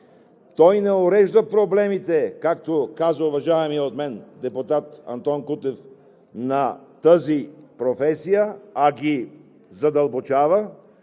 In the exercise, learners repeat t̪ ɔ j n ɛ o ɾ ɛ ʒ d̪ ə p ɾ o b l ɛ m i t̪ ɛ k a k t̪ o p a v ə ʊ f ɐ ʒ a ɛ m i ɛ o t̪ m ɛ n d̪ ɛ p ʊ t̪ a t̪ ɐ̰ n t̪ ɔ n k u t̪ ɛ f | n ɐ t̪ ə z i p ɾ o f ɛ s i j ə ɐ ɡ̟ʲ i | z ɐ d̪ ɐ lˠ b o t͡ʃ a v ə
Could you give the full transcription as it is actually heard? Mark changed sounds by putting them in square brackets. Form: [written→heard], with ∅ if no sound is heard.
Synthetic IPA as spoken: t̪ ɔ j n ɛ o ɾ ɛ ʒ d̪ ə p ɾ o b l ɛ m i t̪ ɛ k a k t̪ o [p→k] a [v→z] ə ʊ [f→v] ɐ ʒ a ɛ m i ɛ o t̪ m ɛ n d̪ ɛ p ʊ t̪ a t̪ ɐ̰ n t̪ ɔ n k u t̪ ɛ f | n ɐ t̪ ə z i p ɾ o f ɛ s i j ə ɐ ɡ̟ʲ i | z ɐ d̪ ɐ lˠ b o t͡ʃ a v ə

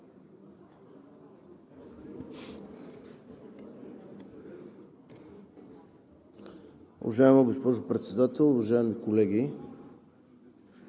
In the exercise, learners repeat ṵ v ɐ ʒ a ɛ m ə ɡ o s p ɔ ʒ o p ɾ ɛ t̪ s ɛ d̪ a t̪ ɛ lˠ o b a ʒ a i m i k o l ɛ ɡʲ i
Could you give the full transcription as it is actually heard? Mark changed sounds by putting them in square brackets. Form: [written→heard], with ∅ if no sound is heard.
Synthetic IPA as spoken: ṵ v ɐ ʒ a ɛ m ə ɡ o s p ɔ ʒ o p ɾ ɛ t̪ s ɛ d̪ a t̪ ɛ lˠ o [b→v] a ʒ a [i→ɛ] m i k o l ɛ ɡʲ i

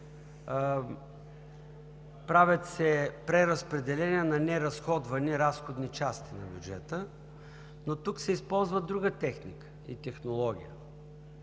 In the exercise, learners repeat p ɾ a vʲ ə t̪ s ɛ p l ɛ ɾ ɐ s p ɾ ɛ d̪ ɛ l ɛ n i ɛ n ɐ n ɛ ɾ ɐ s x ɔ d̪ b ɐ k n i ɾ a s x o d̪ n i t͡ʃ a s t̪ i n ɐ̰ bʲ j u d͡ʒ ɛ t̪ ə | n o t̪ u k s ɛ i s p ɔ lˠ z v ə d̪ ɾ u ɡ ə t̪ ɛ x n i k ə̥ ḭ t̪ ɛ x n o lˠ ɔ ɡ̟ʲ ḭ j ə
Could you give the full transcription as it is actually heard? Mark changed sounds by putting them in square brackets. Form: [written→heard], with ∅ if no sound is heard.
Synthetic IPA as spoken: p ɾ a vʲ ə t̪ s ɛ p [l→ɾ] ɛ ɾ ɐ s p ɾ ɛ d̪ ɛ l ɛ n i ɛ n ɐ n ɛ ɾ ɐ s x ɔ d̪ [b→v] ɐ [k→∅] n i ɾ a s x o d̪ n i t͡ʃ a s t̪ i n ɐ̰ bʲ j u d͡ʒ ɛ t̪ ə | n o t̪ u k s ɛ i s p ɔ lˠ z v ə d̪ ɾ u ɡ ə t̪ ɛ x n i k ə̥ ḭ t̪ ɛ x n o lˠ ɔ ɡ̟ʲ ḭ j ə

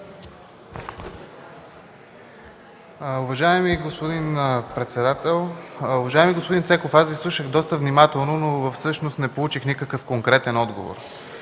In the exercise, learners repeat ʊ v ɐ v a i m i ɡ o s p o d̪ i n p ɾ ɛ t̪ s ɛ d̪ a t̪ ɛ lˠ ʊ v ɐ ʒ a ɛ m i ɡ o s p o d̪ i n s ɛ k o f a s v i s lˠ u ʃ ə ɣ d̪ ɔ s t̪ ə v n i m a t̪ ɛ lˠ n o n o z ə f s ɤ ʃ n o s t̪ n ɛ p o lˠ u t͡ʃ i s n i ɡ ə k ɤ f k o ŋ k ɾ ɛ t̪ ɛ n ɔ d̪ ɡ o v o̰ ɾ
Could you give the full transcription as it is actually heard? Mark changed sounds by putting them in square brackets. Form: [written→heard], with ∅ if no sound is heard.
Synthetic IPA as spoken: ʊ v ɐ [v→ʒ] a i m i ɡ o s p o d̪ i n p ɾ ɛ t̪ s ɛ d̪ a t̪ ɛ lˠ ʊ v ɐ ʒ a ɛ m i ɡ o s p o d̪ i n s ɛ k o f a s v i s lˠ u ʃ ə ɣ d̪ ɔ s t̪ ə v n i m a t̪ ɛ lˠ n o n o [z→v] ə f s ɤ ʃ n o s t̪ n ɛ p o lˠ u t͡ʃ i [s→x] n i [ɡ→k] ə k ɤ f k o ŋ k ɾ ɛ t̪ ɛ n ɔ d̪ ɡ o v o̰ ɾ

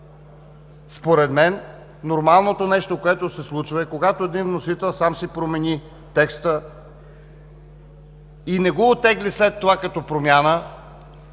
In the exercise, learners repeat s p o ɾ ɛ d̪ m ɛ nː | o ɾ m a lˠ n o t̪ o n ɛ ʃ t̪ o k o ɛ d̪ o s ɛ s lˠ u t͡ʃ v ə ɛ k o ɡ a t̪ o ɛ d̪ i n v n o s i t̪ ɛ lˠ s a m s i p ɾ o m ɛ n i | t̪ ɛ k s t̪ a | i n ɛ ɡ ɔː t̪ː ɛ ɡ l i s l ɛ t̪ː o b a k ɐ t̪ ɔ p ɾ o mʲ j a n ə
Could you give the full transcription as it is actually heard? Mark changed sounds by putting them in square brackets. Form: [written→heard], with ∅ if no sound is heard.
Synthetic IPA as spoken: s p o ɾ ɛ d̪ m ɛ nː | o ɾ m a lˠ n o t̪ o n ɛ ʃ t̪ o k o ɛ [d̪→t̪] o s ɛ s lˠ u t͡ʃ v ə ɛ k o ɡ a t̪ o ɛ d̪ i n v n o s i t̪ ɛ lˠ s a m s i p ɾ o m ɛ n i | t̪ ɛ k s t̪ [a→ə] | i n ɛ ɡ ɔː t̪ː ɛ ɡ l i s l ɛ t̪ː o [b→v] a k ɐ t̪ ɔ p ɾ o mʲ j a n ə

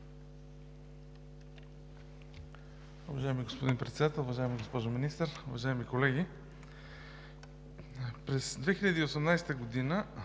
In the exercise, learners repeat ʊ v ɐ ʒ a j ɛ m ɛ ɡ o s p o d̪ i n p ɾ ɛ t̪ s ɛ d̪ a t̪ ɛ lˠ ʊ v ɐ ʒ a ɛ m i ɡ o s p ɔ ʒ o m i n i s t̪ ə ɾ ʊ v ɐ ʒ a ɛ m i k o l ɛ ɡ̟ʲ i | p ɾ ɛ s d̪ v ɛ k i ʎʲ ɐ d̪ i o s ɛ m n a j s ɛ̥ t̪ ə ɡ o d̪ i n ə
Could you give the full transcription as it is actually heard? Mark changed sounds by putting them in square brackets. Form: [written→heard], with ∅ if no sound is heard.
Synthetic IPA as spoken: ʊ v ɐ ʒ a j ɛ m [ɛ→i] ɡ o s p o d̪ i n p ɾ ɛ t̪ s ɛ d̪ a t̪ ɛ lˠ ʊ v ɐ ʒ a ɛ m i ɡ o s p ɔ ʒ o m i n i s t̪ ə ɾ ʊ v ɐ ʒ a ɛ m i k o l ɛ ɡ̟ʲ i | p ɾ ɛ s d̪ v ɛ [k→x] i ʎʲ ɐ d̪ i o s ɛ m n a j s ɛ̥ t̪ ə ɡ o d̪ i n ə

